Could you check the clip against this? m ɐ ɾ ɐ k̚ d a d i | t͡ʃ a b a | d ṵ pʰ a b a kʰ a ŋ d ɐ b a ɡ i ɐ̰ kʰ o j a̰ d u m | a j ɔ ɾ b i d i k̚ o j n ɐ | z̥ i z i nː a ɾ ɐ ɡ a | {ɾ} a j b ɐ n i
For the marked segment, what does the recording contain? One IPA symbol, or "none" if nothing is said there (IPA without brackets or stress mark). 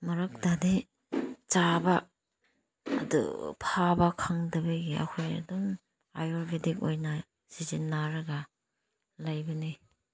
l